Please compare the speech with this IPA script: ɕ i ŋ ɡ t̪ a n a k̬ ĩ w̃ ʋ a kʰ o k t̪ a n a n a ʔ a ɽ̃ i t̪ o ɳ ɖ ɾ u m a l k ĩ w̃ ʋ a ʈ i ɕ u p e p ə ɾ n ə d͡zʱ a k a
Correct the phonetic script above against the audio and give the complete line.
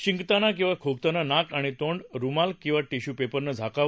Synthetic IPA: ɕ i ŋ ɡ t̪ a n a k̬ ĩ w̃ ʋ a kʰ o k t̪ a n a n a k a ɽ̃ i t̪ o ɳ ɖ ɾ u m a l k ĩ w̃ ʋ a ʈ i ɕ u p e p ə ɾ n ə d͡zʱ a k a

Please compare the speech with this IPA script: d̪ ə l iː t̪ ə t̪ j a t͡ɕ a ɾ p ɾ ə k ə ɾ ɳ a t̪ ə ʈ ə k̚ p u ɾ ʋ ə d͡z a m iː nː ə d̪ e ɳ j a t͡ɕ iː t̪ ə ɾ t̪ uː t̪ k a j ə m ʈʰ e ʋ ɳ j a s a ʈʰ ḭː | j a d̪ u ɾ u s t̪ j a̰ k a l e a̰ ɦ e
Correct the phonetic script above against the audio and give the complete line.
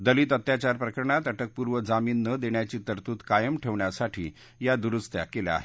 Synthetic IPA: d̪ ə l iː t̪ ə t̪ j a t͡ɕ a ɾ p ɾ ə k ə ɾ ɳ a t̪ ə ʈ ə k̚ p u ɾ ʋ ə d͡z a m iː nː ə d̪ e ɳ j a t͡ɕ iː t̪ ə ɾ t̪ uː t̪ k a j ə m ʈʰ e ʋ ɳ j a s a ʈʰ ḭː | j a d̪ u ɾ u s t̪ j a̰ k e l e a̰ ɦ e

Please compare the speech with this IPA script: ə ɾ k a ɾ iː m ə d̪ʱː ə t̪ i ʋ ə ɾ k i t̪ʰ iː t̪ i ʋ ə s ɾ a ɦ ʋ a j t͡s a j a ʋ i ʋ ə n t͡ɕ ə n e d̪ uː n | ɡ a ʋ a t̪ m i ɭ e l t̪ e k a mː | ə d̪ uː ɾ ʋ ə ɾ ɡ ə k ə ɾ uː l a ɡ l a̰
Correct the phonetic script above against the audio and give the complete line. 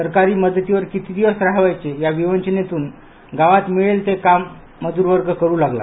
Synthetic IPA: ə ɾ k a ɾ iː m ə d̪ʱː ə t̪ i ʋ ə ɾ k i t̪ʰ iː d̪ i ʋ ə s ɾ a ɦ ʋ a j t͡s e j a ʋ i ʋ ə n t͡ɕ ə n e t̪ uː n | ɡ a ʋ a t̪ m i ɭ e l t̪ e k a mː | ə d̪ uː ɾ ʋ ə ɾ ɡ ə k ə ɾ uː l a ɡ l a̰

